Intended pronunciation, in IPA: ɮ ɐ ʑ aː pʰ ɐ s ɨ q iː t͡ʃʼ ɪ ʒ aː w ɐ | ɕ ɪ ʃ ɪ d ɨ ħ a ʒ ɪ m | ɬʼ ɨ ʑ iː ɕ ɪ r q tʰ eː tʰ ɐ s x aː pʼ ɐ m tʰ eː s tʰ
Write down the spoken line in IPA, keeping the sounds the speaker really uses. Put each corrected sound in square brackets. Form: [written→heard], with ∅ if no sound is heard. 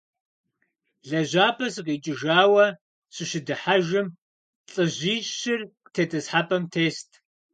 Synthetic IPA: ɮ ɐ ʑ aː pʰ ɐ s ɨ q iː t͡ʃʼ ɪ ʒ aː w ɐ | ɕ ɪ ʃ ɪ d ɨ ħ a ʒ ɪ m | ɬʼ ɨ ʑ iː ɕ ɪ r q tʰ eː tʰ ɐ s [x→ħ] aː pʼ ɐ m tʰ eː s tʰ